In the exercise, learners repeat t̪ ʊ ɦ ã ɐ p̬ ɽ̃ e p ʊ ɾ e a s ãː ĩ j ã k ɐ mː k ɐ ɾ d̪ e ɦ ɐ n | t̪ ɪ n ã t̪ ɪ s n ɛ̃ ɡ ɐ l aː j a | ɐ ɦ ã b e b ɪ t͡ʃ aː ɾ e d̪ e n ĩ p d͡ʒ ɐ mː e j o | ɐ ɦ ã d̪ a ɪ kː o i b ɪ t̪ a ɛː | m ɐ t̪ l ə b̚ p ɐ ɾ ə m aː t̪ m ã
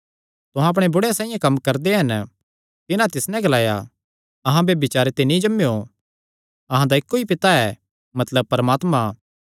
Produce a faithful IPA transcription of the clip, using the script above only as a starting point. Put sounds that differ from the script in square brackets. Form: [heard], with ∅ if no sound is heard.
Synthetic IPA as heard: t̪ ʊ ɦ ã ɐ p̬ ɽ̃ e [b] ʊ [ɽ] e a s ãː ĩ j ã k ɐ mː k ɐ ɾ d̪ e ɦ ɐ n | t̪ ɪ n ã t̪ ɪ s n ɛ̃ ɡ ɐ l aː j a | ɐ ɦ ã b e b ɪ t͡ʃ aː ɾ e [t̪] e n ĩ [∅] d͡ʒ ɐ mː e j o | ɐ ɦ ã d̪ a ɪ kː o i [p] ɪ t̪ a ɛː | m ɐ t̪ l ə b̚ p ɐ ɾ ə m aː t̪ m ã